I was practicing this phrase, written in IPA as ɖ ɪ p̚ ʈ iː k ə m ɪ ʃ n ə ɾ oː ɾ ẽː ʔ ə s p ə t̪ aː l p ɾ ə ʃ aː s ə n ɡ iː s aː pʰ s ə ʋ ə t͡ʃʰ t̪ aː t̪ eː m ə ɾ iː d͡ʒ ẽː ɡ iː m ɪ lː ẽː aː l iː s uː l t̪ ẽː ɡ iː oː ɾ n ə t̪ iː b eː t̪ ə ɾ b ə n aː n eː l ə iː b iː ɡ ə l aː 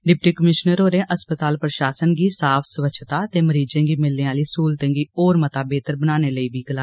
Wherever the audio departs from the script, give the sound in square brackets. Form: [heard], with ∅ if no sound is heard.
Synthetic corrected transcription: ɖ ɪ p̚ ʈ iː k ə m ɪ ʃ n ə ɾ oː ɾ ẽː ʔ ə s p ə t̪ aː l p ɾ ə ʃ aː s ə n ɡ iː s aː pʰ s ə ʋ ə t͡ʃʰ t̪ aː t̪ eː m ə ɾ iː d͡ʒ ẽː ɡ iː m ɪ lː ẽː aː l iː s uː l t̪ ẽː ɡ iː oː ɾ [m] ə t̪ [aː] b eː t̪ ə ɾ b ə n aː n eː l ə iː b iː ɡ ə l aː

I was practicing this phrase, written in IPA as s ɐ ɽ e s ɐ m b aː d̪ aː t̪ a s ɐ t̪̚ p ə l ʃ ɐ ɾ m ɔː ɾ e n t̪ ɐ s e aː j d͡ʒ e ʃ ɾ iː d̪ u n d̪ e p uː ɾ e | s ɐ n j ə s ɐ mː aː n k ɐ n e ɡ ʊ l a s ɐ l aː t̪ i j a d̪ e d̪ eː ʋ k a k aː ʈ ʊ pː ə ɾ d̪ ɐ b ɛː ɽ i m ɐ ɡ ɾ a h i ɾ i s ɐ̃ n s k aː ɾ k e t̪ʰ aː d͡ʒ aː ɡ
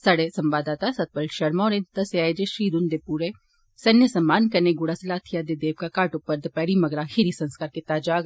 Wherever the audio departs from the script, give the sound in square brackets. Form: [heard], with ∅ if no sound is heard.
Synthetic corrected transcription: s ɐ ɽ e s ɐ m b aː d̪ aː t̪ a s ɐ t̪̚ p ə l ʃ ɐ ɾ m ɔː ɾ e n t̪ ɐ s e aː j d͡ʒ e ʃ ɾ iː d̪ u n d̪ e p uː ɾ e | s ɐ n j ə s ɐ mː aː n k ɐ n e ɡ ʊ [ɽ] a s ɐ l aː [t̪ʰ] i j a d̪ e d̪ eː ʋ k a k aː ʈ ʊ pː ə ɾ d̪ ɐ [p] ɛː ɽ i m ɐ ɡ ɾ a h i ɾ i s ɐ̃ n s k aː ɾ k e [t̪] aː d͡ʒ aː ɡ

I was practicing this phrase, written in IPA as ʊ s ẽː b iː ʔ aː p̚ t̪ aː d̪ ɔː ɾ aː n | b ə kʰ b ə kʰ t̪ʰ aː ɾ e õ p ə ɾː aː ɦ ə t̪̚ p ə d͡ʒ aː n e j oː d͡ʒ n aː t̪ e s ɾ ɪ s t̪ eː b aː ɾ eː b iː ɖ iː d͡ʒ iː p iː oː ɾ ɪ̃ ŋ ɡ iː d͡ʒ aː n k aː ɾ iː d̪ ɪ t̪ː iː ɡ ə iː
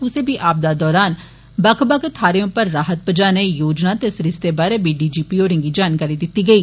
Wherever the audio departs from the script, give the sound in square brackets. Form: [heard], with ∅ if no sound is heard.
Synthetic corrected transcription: ʊ s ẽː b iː ʔ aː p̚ [d̪] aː d̪ ɔː ɾ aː n | b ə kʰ b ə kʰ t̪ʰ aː ɾ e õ p ə ɾː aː ɦ ə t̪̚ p ə d͡ʒ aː n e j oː d͡ʒ n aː t̪ e s ɾ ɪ s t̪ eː b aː ɾ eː b iː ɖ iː d͡ʒ iː p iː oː ɾ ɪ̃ ŋ ɡ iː d͡ʒ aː n k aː ɾ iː d̪ ɪ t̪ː iː ɡ ə iː

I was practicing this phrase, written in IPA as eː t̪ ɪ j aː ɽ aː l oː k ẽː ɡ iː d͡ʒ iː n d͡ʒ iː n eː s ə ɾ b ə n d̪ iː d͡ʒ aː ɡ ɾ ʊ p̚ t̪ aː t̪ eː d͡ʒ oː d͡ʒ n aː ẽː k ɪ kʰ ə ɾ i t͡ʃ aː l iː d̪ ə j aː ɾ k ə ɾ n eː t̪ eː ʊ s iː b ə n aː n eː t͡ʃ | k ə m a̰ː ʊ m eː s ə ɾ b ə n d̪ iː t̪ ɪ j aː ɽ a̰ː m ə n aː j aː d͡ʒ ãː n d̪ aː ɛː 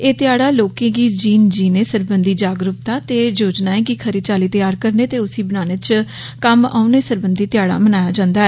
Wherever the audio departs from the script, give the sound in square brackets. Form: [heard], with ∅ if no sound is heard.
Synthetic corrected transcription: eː t̪ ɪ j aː ɽ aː l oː k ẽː ɡ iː d͡ʒ iː n d͡ʒ iː n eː s ə ɾ b ə n d̪ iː d͡ʒ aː ɡ ɾ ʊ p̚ t̪ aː t̪ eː d͡ʒ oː d͡ʒ n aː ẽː k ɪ kʰ ə ɾ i t͡ʃ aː l iː [t̪] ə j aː ɾ k ə ɾ n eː t̪ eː ʊ s iː b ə n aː n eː t͡ʃ | k ə m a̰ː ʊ [n] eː s ə ɾ b ə n d̪ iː t̪ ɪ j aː ɽ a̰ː m ə n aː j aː d͡ʒ ãː n d̪ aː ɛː

